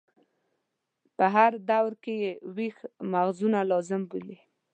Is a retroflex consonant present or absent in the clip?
absent